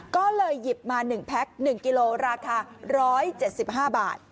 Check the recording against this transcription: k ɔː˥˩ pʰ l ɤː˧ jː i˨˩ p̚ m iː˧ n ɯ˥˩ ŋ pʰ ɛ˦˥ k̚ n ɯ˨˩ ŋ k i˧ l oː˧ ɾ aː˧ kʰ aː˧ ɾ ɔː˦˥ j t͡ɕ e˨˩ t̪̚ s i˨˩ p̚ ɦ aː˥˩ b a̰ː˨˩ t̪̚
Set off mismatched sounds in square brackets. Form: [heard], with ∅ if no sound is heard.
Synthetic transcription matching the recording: k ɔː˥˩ [∅] l ɤː˧ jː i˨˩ p̚ m [aː˧] n [ɯ˨˩] ŋ pʰ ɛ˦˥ k̚ n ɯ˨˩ ŋ k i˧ l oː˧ ɾ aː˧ kʰ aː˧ ɾ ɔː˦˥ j t͡ɕ e˨˩ t̪̚ s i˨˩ p̚ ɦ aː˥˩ b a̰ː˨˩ t̪̚